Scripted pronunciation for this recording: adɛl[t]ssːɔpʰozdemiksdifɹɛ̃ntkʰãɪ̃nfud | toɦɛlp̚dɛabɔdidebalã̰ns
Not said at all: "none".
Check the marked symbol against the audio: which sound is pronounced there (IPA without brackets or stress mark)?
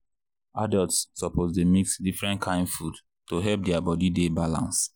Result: t